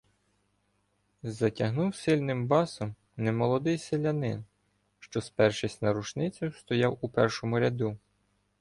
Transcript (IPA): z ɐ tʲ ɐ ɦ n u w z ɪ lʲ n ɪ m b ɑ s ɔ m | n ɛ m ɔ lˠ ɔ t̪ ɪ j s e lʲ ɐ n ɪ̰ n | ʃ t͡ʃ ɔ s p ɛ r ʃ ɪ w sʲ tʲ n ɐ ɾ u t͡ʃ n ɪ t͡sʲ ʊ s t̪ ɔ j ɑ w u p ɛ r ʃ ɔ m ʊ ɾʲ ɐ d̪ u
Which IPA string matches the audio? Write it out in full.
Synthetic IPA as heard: z ɐ tʲ ɐ ɦ n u w s ɪ lʲ n ɪ m b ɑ s ɔ m | n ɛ m ɔ lˠ ɔ d̪ ɪ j s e lʲ ɐ n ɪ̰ n | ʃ t͡ʃ ɔ s p ɛ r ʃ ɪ sʲ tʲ n ɐ ɾ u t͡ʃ n ɪ t͡sʲ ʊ s t̪ ɔ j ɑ w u p ɛ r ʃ ɔ m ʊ ɾʲ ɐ d̪ u